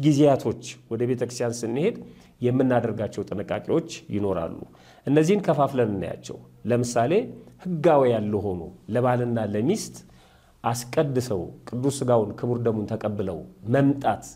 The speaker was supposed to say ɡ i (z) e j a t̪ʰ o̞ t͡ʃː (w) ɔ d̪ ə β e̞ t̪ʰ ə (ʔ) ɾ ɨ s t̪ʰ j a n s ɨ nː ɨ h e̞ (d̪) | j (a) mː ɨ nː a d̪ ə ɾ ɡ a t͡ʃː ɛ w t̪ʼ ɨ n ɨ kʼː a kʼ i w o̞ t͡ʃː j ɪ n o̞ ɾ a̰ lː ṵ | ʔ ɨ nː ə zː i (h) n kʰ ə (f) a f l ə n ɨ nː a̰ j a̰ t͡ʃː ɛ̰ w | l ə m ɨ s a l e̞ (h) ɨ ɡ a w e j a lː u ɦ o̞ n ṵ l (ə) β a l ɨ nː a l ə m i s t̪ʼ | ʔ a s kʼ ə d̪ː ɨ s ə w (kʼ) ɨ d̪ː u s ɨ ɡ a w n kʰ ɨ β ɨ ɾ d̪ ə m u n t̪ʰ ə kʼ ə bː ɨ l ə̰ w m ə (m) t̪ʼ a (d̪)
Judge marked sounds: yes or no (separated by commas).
yes, yes, no, yes, no, yes, yes, yes, yes, yes, yes, no